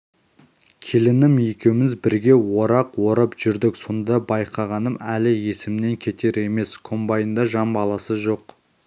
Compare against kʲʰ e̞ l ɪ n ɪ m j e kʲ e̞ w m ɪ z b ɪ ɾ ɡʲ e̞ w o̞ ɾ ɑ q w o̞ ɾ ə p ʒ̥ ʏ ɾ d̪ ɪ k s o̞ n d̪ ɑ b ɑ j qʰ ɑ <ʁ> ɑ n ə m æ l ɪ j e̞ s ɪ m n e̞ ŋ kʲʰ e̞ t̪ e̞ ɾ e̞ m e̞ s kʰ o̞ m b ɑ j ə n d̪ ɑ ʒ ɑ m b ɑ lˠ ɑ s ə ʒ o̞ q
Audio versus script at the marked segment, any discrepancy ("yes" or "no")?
no